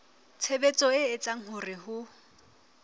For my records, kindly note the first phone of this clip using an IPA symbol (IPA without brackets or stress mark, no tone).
t͡sʰ